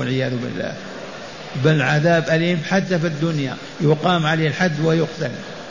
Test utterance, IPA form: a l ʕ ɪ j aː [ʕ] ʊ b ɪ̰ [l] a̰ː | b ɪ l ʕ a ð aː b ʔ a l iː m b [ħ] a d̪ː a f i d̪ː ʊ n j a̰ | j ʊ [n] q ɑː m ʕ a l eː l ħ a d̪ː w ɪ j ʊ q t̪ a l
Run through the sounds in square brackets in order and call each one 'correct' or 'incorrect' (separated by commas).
incorrect, incorrect, correct, incorrect